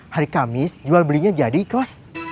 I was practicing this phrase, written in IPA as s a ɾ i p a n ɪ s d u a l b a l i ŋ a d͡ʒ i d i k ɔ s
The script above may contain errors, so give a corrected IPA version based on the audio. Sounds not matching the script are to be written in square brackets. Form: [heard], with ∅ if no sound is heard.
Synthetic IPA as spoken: [h] a ɾ i [k] a [m] ɪ s [d͡ʒ] u a l b [ə] l i [ɲ] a d͡ʒ [a] d i k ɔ s